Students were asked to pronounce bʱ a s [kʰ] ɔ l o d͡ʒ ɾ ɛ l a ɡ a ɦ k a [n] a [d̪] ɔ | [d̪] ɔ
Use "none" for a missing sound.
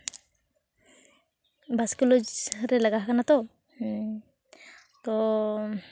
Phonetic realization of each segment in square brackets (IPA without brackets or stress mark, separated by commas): k, n, t̪, t̪